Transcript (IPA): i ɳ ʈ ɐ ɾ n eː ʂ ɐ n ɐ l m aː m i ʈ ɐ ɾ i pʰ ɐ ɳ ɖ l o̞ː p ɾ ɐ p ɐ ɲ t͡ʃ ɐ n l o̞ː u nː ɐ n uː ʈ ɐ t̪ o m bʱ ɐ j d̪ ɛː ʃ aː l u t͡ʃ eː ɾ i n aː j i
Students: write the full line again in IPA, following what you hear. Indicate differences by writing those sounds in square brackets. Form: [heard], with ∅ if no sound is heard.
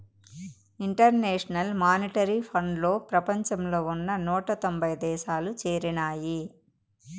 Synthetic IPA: i ɳ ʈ ɐ ɾ n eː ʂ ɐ n ɐ l m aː [n] i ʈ ɐ ɾ i pʰ ɐ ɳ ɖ l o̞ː p ɾ ɐ p ɐ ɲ t͡ʃ ɐ [m] l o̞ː u nː ɐ n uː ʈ ɐ t̪ o m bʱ ɐ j d̪ ɛː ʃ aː l u t͡ʃ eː ɾ i n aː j i